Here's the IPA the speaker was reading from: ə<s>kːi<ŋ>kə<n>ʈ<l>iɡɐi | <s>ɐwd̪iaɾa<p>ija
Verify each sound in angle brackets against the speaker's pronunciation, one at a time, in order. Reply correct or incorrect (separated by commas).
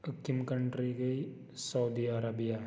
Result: incorrect, incorrect, incorrect, incorrect, correct, incorrect